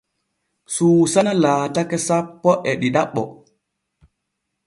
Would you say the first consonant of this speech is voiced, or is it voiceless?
voiceless